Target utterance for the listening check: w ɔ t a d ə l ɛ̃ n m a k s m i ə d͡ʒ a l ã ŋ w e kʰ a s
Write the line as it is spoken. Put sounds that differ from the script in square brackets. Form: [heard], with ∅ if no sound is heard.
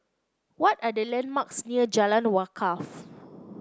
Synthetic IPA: w ɔ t a d ə l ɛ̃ n m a k s [n] i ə d͡ʒ a l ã [n] w [a] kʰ a [f]